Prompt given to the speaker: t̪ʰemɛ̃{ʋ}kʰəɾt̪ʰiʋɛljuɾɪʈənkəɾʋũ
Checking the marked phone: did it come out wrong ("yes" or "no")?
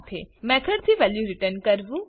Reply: yes